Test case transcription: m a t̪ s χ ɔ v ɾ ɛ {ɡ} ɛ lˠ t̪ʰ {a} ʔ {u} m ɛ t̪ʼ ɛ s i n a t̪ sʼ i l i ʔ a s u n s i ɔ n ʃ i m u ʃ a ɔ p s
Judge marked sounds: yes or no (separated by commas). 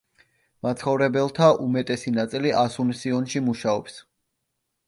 no, yes, yes